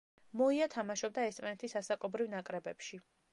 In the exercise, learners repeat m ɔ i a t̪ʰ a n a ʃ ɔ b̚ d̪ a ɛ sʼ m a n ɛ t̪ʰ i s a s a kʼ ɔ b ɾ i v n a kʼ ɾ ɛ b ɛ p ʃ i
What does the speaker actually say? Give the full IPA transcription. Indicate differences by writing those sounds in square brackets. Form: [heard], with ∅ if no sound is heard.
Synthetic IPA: m ɔ i a t̪ʰ a [m] a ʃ ɔ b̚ d̪ a ɛ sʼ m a n ɛ t̪ʰ i s a s a kʼ ɔ b ɾ i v n a kʼ ɾ ɛ b ɛ p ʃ i